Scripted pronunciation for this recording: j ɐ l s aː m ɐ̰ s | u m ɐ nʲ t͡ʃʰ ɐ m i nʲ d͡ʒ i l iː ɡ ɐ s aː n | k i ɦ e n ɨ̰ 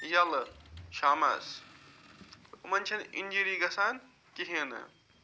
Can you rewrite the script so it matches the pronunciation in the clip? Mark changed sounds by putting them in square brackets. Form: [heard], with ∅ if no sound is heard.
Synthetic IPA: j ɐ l [ʃ] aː m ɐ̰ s | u m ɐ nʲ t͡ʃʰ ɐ [n] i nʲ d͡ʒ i [ɾ] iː ɡ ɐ s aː n | k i ɦ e n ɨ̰